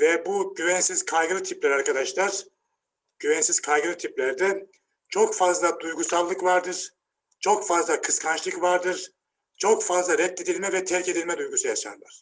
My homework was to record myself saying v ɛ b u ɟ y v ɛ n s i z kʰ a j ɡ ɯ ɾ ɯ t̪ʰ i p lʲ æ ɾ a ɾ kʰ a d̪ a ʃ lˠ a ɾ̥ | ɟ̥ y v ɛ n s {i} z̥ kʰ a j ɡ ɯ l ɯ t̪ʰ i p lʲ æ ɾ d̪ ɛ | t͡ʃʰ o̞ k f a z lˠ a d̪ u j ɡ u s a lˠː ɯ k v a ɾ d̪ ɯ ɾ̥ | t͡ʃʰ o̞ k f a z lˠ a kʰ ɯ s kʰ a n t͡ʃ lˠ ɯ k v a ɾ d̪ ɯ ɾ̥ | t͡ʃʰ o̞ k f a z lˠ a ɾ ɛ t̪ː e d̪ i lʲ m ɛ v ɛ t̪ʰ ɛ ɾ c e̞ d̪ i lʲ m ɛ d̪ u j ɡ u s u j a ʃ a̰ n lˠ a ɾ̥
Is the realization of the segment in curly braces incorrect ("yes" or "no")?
no